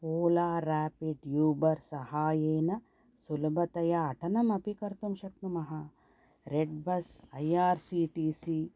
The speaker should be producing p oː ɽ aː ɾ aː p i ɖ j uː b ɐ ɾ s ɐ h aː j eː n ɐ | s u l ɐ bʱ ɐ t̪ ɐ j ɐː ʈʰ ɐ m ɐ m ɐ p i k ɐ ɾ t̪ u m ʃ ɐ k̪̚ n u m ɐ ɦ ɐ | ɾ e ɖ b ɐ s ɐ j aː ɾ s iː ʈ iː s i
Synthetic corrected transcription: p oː l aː ɾ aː p i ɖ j uː b ɐ ɾ s ɐ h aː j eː n ɐ | s u l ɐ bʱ ɐ t̪ ɐ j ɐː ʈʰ ɐ n ɐ m ɐ p i k ɐ ɾ t̪ u m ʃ ɐ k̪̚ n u m ɐ ɦ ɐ | ɾ e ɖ b ɐ s ɐ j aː ɾ s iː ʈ iː s i